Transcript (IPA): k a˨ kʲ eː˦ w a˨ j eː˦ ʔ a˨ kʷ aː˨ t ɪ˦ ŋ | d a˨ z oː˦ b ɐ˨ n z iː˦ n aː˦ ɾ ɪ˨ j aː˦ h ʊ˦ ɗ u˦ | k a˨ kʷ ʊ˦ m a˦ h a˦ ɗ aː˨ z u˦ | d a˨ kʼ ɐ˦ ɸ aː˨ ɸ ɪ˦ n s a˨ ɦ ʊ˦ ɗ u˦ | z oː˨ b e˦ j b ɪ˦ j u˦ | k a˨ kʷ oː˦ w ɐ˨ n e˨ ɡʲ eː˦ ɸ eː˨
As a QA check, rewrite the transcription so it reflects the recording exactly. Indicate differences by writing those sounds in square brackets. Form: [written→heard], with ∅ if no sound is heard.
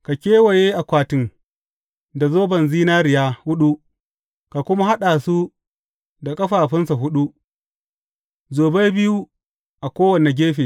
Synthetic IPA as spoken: k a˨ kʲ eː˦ w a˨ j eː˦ ʔ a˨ kʷ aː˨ t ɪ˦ ŋ | d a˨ z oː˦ b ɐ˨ n z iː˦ n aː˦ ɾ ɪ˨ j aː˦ h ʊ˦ ɗ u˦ | k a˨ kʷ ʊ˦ m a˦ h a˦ ɗ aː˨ [z→s] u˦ | d a˨ kʼ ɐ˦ ɸ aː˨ ɸ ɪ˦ n s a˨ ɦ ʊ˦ ɗ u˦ | z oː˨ b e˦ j b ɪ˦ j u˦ | [k→ʔ] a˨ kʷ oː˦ w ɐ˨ n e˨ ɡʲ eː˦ ɸ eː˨